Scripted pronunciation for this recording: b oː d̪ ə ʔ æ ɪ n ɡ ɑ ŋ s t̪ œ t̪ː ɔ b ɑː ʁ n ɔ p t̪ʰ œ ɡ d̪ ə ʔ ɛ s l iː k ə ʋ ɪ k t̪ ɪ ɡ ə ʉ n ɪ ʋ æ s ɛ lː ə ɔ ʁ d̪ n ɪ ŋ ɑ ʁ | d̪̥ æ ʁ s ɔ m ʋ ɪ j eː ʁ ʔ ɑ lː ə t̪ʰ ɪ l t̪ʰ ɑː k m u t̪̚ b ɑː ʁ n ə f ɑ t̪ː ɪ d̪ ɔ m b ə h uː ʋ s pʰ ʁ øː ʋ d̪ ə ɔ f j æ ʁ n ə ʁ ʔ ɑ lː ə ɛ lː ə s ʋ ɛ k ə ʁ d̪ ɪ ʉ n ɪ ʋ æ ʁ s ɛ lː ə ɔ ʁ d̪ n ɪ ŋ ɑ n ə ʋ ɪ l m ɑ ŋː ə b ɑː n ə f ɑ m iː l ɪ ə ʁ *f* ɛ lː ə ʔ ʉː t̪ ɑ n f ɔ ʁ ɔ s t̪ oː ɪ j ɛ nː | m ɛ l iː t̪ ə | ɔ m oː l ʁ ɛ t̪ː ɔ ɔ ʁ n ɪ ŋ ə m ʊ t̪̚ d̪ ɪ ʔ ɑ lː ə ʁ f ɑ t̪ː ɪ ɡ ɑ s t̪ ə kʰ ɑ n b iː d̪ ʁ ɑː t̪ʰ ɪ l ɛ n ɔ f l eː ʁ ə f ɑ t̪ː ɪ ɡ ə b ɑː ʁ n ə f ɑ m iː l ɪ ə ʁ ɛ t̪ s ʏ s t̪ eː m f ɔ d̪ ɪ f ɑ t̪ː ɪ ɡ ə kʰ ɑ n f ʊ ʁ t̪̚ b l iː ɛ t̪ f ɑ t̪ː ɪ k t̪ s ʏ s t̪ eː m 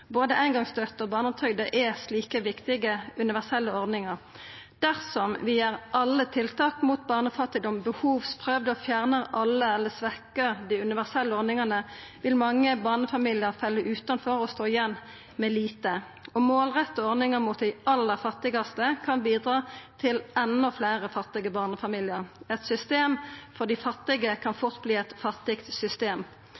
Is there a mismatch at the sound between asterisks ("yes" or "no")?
no